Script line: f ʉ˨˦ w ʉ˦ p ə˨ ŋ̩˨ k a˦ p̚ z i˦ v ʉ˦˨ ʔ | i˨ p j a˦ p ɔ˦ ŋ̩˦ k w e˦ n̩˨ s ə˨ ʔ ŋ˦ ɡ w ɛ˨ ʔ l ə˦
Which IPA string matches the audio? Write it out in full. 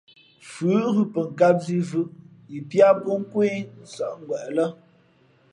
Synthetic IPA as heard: f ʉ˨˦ ɣ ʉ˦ p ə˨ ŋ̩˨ k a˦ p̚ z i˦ v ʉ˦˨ ʔ | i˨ p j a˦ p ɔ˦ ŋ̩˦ k w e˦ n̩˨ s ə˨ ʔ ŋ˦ ɡ w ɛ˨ ʔ l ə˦